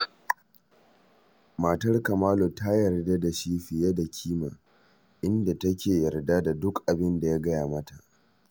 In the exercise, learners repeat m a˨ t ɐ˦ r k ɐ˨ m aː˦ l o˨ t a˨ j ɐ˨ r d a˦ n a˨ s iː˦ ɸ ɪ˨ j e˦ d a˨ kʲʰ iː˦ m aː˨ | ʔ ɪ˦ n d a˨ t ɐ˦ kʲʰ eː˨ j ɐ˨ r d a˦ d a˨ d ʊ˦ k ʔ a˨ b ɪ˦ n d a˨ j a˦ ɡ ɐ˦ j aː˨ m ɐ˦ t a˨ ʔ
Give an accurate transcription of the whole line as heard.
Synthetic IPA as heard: m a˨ t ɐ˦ r k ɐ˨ m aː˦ l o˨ t a˦ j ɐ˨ r d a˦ d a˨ ʃ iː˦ ɸ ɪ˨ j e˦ d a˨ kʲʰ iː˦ m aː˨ | ʔ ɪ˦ n d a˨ t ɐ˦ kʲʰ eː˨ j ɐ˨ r d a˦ d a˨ d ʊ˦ k ʔ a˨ b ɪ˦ n d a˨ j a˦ ɡ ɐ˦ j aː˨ m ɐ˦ t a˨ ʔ

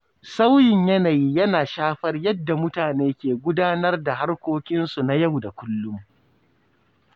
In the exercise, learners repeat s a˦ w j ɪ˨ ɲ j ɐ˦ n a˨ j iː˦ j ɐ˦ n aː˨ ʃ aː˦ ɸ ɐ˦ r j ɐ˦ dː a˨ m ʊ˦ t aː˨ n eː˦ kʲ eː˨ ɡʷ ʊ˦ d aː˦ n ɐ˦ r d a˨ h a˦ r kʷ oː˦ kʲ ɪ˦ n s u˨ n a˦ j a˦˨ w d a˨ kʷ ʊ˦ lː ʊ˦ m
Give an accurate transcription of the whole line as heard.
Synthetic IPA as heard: s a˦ w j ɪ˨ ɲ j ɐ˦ n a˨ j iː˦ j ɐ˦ n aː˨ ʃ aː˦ ɸ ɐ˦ r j ɐ˦ dː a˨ m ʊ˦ t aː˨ n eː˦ kʲ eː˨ ɡʷ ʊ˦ d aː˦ n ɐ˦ r d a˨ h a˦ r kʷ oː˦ kʲ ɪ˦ n s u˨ n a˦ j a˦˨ w d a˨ kʷ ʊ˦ lː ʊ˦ m

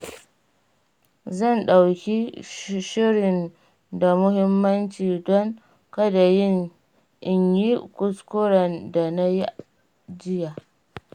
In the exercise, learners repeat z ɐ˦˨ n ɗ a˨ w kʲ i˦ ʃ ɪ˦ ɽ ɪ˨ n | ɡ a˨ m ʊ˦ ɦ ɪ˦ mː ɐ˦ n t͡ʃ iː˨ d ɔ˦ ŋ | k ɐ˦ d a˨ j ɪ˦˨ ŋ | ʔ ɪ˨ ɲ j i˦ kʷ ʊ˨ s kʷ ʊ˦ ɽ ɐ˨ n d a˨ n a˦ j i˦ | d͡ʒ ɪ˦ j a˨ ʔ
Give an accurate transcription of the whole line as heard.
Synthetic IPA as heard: z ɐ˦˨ n ɗ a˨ w kʲ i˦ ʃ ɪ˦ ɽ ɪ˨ n | d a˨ m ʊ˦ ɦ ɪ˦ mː ɐ˦ n t͡ʃ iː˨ d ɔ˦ ŋ | k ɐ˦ d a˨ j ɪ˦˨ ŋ | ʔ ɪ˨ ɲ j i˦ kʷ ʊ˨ s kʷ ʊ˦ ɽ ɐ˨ n d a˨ n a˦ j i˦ | d͡ʒ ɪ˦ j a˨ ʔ

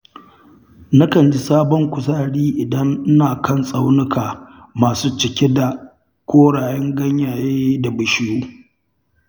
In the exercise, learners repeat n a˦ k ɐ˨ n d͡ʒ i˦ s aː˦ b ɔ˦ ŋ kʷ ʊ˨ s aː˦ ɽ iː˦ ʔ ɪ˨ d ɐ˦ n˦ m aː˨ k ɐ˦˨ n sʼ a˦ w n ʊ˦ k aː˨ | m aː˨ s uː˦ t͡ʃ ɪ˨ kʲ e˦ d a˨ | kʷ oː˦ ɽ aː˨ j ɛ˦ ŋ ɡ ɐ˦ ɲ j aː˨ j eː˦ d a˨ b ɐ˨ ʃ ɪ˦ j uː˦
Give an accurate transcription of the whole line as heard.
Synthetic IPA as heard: n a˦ k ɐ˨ n d͡ʒ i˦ s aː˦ b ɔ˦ ŋ kʷ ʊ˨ s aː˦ ɽ iː˦ ʔ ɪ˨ d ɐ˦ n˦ n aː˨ k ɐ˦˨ n sʼ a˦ w n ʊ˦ k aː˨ | m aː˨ s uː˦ t͡ʃ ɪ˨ kʲ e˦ d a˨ | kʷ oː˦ ɽ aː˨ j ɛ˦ ŋ ɡ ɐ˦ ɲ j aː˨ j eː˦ d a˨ b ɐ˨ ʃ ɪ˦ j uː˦

